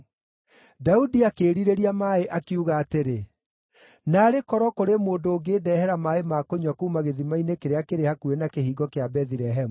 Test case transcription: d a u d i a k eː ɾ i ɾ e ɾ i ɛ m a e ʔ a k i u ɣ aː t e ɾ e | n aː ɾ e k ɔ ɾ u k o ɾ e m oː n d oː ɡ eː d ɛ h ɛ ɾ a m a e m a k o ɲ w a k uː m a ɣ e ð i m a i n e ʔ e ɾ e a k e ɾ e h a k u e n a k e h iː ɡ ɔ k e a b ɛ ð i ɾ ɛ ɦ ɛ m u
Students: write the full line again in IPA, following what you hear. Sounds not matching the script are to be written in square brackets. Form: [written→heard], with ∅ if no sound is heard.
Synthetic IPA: d a u d i a k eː ɾ i ɾ e ɾ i [ɛ→a] m a e ʔ a k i u ɣ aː t e ɾ e | n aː ɾ e k ɔ ɾ [u→ɔ] k o ɾ e m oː n d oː ɡ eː d ɛ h ɛ ɾ a m a e m a k o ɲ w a k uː m a ɣ e ð i m a i n e [ʔ→k] e ɾ e a k e ɾ e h a k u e n a k e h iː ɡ ɔ k e a b ɛ ð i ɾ ɛ ɦ ɛ m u